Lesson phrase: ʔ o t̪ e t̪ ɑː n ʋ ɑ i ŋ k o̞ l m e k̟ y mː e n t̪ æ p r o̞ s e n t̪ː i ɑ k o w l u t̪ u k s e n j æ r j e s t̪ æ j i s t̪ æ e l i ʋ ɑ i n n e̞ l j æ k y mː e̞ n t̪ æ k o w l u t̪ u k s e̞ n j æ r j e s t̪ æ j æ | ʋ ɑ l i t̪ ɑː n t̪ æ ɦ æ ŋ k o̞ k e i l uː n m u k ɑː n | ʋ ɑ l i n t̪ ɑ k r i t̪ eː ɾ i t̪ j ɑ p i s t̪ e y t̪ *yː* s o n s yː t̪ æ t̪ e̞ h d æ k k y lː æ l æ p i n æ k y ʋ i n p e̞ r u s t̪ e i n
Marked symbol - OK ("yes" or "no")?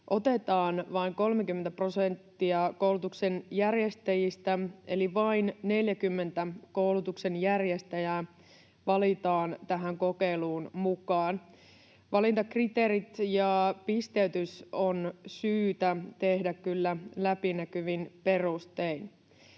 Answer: no